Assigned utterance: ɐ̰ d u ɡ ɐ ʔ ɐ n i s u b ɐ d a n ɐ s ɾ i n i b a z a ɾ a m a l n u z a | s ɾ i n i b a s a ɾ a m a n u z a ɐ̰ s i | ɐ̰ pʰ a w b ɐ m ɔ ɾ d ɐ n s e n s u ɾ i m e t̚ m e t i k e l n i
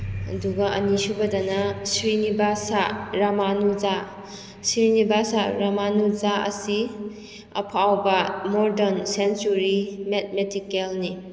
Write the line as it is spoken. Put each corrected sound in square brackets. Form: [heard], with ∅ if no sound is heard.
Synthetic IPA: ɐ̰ d u ɡ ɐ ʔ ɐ n i s u b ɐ d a n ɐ s ɾ i n i b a [s] a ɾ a m a [∅] n u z a | s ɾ i n i b a s a ɾ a m a n u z a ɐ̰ s i | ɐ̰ pʰ a w b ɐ m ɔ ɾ d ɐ n s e n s u ɾ i m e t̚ m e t i k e l n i